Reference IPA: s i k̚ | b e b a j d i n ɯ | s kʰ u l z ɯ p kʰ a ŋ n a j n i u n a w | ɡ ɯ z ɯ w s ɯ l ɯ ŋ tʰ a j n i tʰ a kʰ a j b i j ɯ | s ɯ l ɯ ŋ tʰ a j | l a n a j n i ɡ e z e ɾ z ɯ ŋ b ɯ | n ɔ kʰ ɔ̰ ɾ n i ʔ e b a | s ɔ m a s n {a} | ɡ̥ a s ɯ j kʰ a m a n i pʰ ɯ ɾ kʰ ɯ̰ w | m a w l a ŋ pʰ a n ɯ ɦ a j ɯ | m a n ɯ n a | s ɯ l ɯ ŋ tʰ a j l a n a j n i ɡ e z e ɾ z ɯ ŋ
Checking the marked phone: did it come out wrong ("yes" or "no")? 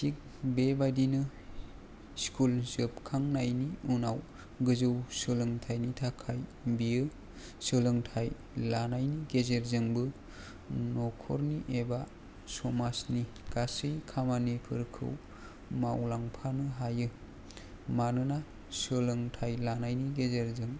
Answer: yes